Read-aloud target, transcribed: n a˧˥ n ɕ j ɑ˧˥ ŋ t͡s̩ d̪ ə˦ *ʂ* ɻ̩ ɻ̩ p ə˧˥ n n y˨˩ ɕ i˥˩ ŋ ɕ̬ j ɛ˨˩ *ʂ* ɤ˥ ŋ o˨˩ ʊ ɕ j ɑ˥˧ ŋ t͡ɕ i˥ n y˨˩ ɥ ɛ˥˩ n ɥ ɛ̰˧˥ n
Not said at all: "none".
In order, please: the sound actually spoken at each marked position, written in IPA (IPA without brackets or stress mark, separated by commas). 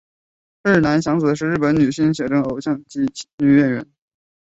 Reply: ʂ, ʈ͡ʂ